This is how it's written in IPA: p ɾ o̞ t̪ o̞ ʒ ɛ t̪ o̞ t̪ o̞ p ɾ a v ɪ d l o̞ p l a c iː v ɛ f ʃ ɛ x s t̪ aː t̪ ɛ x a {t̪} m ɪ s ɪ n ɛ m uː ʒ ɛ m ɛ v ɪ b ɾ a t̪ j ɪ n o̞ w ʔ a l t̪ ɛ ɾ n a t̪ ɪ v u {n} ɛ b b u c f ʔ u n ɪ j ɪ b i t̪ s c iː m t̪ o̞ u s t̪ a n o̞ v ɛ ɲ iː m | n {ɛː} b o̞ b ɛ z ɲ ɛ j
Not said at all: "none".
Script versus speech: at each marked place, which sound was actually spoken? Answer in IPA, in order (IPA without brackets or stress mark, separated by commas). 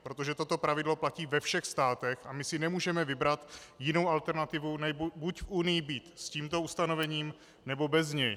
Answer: none, n, ɛ